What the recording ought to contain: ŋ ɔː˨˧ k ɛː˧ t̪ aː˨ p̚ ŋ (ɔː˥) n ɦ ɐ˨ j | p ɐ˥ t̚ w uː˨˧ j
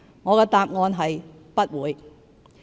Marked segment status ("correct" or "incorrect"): incorrect